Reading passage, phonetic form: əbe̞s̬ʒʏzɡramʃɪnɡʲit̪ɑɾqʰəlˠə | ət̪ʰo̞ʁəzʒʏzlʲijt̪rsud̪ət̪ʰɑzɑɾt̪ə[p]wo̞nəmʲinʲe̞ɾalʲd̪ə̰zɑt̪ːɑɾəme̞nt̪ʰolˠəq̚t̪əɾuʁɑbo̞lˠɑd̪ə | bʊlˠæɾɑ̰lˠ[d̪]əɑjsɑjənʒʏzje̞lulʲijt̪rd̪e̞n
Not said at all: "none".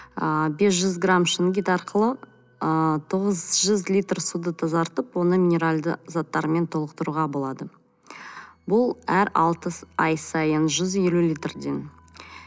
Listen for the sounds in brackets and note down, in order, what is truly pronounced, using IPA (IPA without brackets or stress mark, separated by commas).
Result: p, t̪